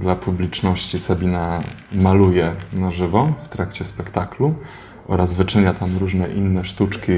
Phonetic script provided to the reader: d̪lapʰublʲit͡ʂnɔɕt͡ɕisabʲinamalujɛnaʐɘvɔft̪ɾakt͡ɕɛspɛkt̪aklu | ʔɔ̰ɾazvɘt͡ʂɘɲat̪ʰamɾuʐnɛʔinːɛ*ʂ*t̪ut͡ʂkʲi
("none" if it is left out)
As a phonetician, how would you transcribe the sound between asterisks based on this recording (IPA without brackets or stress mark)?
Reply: ʂ